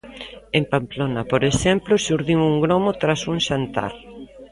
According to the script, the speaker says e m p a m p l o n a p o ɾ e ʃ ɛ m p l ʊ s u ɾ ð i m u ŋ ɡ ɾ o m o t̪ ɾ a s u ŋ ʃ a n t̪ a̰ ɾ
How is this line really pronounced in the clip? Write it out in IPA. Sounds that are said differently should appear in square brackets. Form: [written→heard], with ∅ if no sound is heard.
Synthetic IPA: e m p a m p l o n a p o ɾ e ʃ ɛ m p l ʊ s u ɾ ð i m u ŋ ɡ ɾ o m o t̪ ɾ a s u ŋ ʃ a n t̪ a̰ ɾ